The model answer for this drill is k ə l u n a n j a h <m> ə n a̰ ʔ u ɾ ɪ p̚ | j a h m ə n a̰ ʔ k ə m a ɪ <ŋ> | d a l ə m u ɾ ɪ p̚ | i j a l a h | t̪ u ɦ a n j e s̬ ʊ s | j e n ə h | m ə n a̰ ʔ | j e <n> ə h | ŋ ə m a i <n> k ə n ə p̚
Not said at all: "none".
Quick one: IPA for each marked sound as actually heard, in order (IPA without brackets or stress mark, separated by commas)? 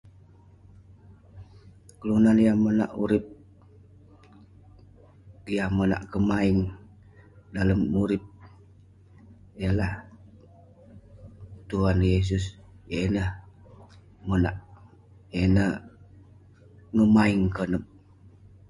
m, ŋ, n, ŋ